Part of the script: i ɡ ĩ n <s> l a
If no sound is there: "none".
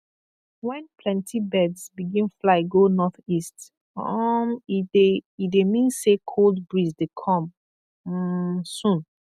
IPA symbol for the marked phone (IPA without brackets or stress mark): f